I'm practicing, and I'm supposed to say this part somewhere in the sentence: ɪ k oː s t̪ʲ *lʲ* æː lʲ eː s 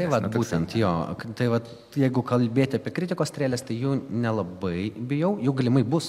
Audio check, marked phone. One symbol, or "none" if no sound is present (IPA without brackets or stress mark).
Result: ɾʲ